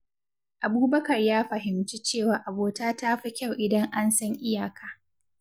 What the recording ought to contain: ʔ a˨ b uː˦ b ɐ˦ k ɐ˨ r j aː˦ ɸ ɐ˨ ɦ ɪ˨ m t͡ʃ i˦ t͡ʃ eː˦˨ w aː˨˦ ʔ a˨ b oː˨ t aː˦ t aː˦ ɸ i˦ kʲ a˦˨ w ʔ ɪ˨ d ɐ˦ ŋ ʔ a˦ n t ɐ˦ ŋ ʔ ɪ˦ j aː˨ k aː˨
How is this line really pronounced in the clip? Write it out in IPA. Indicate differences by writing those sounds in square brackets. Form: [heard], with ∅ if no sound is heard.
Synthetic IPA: ʔ a˨ b uː˦ b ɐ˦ k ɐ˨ r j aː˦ ɸ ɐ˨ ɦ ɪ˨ m t͡ʃ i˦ t͡ʃ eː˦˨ w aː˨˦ ʔ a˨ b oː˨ t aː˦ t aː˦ ɸ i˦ kʲ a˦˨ w ʔ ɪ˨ d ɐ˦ ŋ ʔ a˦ n [s] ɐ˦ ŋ ʔ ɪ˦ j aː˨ k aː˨